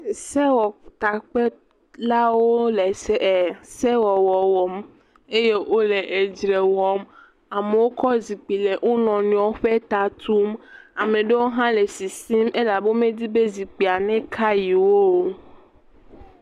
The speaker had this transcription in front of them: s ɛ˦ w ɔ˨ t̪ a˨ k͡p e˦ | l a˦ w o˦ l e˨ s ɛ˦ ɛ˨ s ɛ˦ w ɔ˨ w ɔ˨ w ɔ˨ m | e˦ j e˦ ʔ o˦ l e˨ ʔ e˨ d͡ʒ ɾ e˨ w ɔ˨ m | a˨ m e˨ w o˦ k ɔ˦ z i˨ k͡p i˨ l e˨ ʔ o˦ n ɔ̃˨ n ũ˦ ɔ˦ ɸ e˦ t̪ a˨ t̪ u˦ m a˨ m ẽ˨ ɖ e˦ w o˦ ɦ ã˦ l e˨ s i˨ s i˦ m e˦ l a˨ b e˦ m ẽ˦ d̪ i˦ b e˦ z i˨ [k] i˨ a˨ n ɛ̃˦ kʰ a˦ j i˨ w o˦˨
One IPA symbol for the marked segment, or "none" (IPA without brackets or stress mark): k͡p